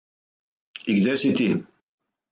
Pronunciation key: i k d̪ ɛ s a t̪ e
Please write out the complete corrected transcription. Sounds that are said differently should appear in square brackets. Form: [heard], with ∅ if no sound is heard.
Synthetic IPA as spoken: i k d̪ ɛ s [i] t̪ [i]

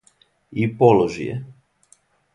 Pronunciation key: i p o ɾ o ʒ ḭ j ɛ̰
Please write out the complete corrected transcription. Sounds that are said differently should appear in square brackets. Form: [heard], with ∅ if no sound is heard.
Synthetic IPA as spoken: i p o [l] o ʒ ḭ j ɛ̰

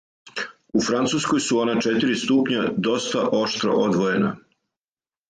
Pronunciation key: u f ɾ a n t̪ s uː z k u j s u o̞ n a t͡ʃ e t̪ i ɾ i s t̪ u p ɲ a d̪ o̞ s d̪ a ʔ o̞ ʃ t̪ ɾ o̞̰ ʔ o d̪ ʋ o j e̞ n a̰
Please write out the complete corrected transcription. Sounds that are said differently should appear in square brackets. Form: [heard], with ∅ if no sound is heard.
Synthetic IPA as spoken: u f ɾ a n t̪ s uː [s] k [o] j s u o̞ n a t͡ʃ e t̪ i ɾ i s t̪ u p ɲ a d̪ o̞ s [t̪] a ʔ o̞ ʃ t̪ ɾ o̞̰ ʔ o d̪ ʋ o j e̞ n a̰

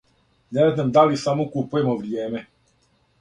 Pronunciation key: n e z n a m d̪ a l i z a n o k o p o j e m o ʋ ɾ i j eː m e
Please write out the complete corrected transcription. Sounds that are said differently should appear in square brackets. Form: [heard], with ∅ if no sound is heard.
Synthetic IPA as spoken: n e z n a m d̪ a l i [s] a [m] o k [u] p [u] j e m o ʋ ɾ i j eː m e

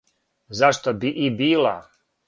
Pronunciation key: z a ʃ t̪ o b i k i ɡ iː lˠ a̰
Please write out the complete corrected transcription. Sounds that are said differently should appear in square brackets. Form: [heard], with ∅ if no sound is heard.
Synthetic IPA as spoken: z a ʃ t̪ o b i [ʔ] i [b] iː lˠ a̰

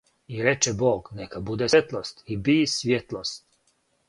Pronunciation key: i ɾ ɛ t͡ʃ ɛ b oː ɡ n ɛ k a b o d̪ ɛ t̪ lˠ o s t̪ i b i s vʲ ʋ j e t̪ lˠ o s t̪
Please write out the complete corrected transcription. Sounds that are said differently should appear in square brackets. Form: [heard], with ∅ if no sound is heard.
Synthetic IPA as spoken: i ɾ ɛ t͡ʃ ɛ b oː ɡ n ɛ k a b [u] d̪ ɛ t̪ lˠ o s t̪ i b i s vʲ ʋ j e t̪ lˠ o s t̪

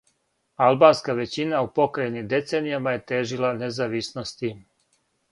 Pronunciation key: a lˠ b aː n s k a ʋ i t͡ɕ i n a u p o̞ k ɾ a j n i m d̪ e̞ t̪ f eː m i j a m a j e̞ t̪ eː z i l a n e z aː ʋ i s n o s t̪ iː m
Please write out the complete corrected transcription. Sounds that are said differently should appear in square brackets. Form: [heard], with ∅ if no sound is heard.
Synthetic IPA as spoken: a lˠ b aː n s k a ʋ [e] t͡ɕ i n a u p o̞ k ɾ a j n i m d̪ e̞ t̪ [s] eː [n] i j a m a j e̞ t̪ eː [ʒ] i l a n e z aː ʋ i s n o s t̪ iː m

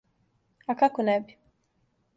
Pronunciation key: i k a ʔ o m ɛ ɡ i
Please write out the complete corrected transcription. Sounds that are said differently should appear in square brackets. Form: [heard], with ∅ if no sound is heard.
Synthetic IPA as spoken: [a] k a [k] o [n] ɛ [b] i

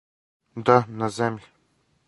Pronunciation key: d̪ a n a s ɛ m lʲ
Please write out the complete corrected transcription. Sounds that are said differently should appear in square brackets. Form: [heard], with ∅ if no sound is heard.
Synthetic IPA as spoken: d̪ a n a [z] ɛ m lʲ

